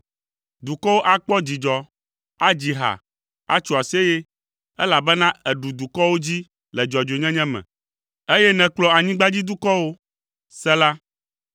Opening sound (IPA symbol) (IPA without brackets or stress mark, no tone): d̪